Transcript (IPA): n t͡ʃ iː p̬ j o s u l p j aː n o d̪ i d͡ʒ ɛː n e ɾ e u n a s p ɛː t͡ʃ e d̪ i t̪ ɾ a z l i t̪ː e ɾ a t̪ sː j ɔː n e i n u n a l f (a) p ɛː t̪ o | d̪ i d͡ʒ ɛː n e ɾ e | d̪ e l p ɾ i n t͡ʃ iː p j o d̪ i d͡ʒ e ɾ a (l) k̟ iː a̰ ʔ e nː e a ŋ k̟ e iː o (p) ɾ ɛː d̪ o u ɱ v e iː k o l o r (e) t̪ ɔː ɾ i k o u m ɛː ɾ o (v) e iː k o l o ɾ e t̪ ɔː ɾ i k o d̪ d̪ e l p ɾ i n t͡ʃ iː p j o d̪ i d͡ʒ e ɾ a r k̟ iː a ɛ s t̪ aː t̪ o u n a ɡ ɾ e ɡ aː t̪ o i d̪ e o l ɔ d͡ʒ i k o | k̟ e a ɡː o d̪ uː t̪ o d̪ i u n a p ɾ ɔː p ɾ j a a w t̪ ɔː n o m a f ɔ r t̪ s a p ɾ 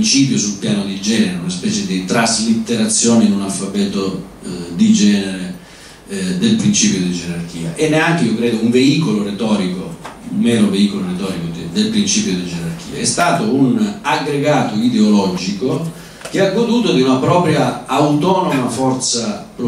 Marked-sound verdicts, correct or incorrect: correct, incorrect: r, incorrect: k, correct, correct

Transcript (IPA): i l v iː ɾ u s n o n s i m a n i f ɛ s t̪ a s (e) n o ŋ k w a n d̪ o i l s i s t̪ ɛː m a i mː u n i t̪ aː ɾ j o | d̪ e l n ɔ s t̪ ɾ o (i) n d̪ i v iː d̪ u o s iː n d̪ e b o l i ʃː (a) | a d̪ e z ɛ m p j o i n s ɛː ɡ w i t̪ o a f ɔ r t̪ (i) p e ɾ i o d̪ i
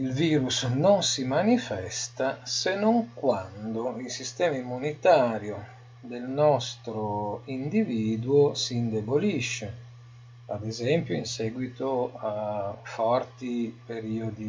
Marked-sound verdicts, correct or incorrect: correct, correct, incorrect: e, correct

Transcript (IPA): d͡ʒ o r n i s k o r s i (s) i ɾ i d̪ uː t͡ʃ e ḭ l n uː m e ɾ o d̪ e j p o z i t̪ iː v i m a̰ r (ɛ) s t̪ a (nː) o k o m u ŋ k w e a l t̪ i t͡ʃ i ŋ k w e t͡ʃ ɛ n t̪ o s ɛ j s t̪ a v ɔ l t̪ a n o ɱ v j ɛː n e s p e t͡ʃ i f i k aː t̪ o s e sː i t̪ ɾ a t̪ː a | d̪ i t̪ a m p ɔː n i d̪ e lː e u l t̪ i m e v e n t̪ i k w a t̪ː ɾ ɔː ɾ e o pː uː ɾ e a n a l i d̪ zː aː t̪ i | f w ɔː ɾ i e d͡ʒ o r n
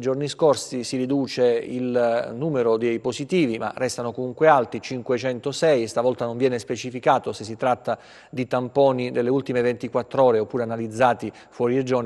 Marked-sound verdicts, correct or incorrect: correct, correct, incorrect: n

